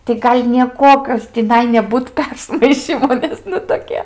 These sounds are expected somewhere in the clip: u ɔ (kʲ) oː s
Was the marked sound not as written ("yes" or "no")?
no